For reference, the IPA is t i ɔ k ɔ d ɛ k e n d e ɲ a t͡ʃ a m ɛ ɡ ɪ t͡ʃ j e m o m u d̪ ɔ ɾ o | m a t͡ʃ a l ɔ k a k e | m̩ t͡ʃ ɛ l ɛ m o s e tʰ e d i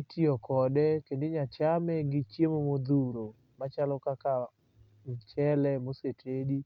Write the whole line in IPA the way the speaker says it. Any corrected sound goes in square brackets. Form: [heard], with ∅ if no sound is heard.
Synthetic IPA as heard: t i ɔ k ɔ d ɛ k e n d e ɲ a t͡ʃ a m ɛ ɡ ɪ t͡ʃ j e m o m [o] d̪ [u] ɾ o | m a t͡ʃ a l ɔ k a k [a] | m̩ t͡ʃ ɛ l ɛ m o s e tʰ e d i